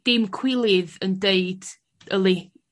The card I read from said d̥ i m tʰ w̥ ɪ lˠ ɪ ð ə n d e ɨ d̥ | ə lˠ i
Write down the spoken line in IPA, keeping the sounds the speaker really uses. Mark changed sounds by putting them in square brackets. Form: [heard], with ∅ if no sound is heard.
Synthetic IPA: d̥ [ɪ] m [kʰ] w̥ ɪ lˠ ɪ ð ə n d e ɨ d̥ | ə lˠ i